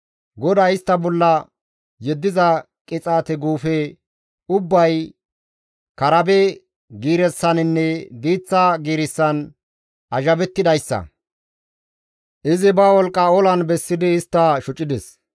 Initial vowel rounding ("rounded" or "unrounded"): rounded